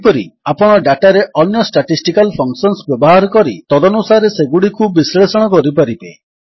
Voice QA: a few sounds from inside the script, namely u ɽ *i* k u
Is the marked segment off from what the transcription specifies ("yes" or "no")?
no